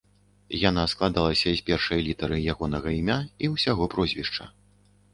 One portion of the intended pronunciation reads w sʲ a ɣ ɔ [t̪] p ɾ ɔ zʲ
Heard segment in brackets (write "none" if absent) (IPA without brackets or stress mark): none